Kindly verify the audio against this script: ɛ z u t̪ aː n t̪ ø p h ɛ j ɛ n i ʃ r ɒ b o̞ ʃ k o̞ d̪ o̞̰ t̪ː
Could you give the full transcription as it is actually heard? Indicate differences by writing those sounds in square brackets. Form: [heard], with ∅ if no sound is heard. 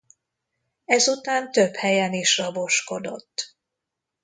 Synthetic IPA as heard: ɛ z u t̪ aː n t̪ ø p h ɛ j ɛ n i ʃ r ɒ b o̞ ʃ k o̞ d̪ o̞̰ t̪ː